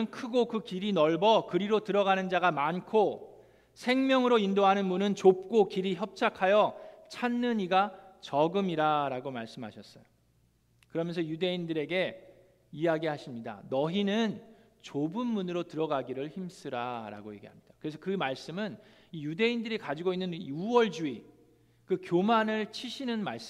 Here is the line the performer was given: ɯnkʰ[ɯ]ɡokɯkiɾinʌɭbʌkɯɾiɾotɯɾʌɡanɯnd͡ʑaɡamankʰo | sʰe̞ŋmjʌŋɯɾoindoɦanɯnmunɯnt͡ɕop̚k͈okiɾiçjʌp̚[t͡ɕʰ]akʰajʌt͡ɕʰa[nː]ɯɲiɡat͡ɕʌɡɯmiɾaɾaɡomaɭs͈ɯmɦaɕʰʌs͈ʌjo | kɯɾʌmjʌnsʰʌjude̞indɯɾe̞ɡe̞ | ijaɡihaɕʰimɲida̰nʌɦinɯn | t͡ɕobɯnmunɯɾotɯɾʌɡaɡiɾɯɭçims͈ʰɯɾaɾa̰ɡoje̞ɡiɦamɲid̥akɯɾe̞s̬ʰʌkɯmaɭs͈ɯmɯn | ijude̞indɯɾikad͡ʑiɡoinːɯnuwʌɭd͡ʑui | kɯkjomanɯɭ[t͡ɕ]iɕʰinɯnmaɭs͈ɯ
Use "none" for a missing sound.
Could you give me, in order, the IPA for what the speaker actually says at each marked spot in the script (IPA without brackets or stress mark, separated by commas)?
ɯ, t͡ɕʰ, nː, t͡ɕʰ